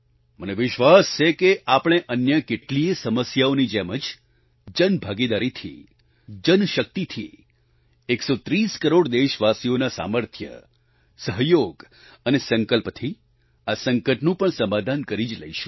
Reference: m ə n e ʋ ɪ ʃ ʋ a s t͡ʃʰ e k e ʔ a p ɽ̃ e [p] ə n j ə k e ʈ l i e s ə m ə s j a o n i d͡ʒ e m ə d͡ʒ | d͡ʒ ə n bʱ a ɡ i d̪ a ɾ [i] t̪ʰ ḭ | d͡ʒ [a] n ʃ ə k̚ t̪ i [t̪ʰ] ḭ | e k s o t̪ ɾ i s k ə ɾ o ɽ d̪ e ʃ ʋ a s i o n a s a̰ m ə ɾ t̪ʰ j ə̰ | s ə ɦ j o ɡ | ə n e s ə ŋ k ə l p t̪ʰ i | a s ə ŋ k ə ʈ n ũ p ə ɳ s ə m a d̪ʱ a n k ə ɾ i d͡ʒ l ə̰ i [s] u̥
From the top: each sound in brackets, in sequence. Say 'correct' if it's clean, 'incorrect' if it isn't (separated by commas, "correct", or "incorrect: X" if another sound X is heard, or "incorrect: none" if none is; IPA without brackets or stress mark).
incorrect: ʔ, correct, incorrect: ə, correct, incorrect: ʃ